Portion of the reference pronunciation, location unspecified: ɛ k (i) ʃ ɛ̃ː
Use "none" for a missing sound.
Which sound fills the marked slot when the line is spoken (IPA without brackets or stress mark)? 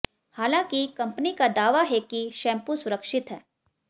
i